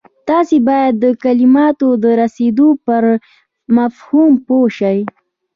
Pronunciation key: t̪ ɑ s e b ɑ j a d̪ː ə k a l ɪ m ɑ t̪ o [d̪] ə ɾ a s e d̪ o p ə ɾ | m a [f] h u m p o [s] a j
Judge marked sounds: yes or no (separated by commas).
yes, yes, no